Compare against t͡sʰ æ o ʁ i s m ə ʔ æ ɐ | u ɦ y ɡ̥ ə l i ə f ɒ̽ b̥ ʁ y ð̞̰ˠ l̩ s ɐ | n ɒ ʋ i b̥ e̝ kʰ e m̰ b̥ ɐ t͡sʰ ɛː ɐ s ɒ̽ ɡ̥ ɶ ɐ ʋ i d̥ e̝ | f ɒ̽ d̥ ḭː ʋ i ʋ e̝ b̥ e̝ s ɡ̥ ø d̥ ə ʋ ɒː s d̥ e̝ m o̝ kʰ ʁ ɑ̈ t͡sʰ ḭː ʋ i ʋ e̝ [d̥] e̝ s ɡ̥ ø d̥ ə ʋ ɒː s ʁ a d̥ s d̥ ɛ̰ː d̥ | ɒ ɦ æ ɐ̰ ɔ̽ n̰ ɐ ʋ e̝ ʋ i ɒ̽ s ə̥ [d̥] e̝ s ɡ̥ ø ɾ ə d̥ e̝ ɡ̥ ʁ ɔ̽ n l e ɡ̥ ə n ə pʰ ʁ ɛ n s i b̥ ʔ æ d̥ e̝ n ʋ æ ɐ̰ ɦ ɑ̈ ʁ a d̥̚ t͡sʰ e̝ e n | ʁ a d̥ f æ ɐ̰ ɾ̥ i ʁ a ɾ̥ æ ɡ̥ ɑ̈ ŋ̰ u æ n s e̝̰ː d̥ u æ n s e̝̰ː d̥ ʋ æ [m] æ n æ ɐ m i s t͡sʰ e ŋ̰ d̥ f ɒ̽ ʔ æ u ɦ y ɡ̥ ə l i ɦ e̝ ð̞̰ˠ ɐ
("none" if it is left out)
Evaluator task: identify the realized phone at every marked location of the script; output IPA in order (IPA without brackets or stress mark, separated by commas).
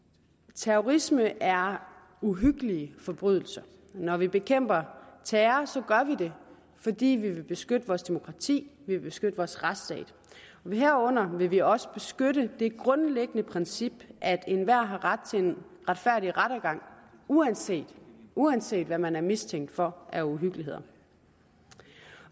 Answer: b̥, b̥, m